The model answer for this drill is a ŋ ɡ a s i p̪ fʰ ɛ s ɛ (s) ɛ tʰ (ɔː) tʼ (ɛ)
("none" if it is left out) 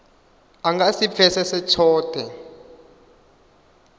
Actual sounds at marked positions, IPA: s, ɔː, ɛ

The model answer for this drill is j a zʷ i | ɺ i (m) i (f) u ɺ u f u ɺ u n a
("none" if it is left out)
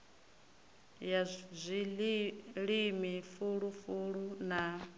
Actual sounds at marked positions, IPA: m, f

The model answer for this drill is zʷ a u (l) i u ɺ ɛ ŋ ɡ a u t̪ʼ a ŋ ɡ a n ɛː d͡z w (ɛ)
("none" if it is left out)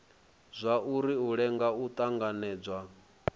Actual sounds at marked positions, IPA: ɾ, a

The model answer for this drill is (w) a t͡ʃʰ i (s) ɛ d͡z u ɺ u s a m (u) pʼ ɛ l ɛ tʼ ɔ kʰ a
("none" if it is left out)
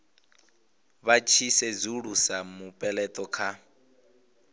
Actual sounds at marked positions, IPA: β, s, u

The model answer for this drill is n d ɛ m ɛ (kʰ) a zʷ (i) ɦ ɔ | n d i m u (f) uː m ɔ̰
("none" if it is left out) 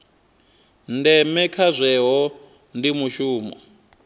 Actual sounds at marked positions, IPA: kʰ, ɛ, ʃ

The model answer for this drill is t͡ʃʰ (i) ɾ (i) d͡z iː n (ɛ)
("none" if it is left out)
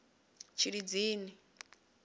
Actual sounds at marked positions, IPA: i, i, i

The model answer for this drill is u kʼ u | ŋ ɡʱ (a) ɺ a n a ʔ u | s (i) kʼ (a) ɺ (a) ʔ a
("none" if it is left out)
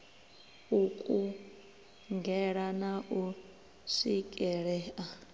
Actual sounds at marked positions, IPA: ɛ, i, ɛ, ɛ

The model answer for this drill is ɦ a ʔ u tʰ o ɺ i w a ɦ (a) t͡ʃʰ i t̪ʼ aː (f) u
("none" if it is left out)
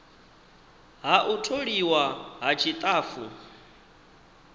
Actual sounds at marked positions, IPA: a, f

